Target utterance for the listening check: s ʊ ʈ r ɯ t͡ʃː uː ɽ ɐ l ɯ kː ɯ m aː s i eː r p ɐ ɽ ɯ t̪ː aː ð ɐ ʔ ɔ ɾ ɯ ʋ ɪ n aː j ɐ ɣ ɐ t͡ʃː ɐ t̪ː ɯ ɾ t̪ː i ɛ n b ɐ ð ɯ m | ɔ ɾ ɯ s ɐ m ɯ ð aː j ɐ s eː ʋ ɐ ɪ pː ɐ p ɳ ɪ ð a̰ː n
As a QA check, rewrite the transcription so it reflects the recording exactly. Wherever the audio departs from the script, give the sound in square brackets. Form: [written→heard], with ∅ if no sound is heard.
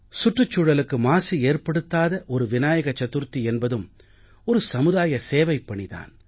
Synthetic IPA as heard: s ʊ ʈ r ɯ t͡ʃː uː ɽ ɐ l ɯ kː ɯ m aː s i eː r p ɐ ɽ ɯ t̪ː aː ð ɐ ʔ ɔ ɾ ɯ ʋ ɪ n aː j ɐ ɣ ɐ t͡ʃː ɐ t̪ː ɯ ɾ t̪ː i ɛ n b ɐ ð ɯ m | ɔ ɾ ɯ s ɐ m ɯ ð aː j ɐ s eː ʋ ɐ ɪ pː ɐ [p→∅] ɳ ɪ ð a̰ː n